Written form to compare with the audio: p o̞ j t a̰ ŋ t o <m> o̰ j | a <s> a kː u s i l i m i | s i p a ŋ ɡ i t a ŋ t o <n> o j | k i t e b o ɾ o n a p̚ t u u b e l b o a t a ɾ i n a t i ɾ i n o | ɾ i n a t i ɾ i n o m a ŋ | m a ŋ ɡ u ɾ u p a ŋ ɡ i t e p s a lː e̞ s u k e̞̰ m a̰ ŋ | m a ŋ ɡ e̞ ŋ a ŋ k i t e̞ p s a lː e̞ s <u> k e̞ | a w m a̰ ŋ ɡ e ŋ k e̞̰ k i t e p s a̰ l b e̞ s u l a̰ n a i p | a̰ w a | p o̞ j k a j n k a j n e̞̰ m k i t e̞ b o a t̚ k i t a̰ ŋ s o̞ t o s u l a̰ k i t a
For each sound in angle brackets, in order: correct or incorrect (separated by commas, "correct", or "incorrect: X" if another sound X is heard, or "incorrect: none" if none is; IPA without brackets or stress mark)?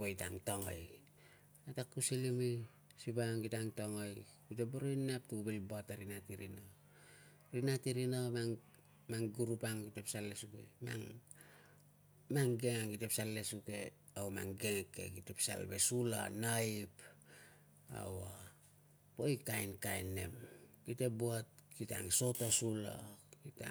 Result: incorrect: ŋ, incorrect: t, incorrect: ŋ, correct